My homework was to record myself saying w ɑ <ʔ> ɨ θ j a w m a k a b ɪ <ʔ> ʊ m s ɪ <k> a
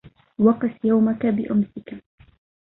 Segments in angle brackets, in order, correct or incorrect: incorrect, correct, correct

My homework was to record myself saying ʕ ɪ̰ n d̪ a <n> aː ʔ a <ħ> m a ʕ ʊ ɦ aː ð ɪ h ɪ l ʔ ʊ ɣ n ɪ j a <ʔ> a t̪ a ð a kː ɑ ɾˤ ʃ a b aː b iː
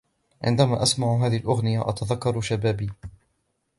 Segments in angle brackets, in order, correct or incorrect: incorrect, incorrect, correct

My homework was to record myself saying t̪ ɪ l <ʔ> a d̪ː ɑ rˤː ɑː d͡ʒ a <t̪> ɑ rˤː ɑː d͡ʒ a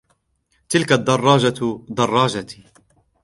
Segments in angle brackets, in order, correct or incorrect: incorrect, incorrect

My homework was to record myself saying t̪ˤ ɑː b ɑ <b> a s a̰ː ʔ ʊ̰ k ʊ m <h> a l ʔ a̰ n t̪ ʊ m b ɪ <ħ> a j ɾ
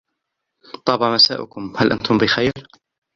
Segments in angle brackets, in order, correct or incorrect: incorrect, correct, incorrect

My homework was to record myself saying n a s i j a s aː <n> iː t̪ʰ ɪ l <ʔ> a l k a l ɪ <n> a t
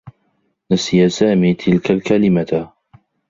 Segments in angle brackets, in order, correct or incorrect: incorrect, incorrect, incorrect

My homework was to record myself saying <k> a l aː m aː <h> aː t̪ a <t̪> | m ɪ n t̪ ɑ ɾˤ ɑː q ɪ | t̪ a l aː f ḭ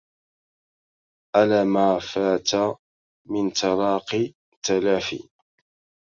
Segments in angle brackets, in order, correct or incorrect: incorrect, incorrect, incorrect

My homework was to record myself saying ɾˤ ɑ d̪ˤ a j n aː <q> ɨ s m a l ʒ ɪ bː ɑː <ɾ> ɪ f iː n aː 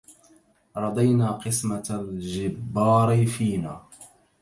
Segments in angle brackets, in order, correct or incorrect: correct, correct

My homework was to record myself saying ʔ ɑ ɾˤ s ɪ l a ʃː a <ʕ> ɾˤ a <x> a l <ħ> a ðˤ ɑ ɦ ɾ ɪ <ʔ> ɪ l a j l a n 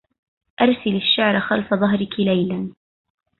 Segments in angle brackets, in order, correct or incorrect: correct, correct, incorrect, incorrect

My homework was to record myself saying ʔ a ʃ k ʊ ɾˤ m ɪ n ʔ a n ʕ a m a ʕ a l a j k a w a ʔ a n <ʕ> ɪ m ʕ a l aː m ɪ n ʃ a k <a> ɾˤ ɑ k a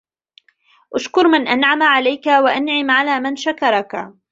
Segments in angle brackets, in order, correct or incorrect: correct, incorrect

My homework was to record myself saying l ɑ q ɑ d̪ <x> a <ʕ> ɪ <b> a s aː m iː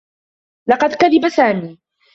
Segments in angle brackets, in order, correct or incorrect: incorrect, incorrect, correct

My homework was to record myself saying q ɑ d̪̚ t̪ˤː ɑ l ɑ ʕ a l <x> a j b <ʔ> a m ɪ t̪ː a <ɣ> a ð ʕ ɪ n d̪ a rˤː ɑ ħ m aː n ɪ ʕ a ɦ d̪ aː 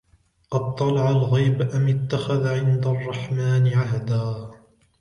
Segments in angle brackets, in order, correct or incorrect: incorrect, correct, incorrect

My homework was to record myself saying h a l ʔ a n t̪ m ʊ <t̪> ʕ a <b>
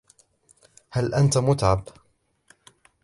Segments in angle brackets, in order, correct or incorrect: correct, correct

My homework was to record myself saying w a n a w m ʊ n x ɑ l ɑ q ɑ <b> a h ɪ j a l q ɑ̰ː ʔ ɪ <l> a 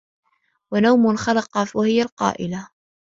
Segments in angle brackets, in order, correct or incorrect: incorrect, correct

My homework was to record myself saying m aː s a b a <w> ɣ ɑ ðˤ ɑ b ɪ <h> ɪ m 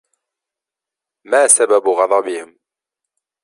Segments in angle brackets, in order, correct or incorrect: incorrect, correct

